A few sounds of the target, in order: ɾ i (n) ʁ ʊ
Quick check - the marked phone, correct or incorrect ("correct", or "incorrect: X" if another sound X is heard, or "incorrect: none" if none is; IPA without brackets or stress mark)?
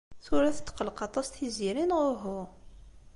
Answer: correct